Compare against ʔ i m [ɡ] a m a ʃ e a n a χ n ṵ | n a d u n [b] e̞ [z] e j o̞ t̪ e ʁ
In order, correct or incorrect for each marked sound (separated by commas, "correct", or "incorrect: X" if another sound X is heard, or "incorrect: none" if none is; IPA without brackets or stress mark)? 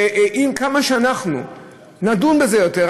incorrect: k, correct, correct